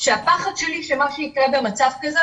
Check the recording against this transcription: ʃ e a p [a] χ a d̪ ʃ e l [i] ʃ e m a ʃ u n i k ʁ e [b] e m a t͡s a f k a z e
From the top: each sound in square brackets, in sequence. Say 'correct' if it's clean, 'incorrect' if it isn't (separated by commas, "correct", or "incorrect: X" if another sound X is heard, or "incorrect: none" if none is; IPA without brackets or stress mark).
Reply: correct, correct, correct